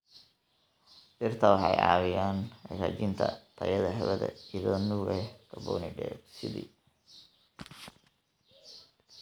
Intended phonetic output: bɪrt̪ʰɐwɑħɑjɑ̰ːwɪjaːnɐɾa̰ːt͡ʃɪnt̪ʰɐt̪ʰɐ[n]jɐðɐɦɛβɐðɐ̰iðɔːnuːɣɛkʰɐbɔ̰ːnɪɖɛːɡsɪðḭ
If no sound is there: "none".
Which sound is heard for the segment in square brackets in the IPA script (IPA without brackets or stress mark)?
none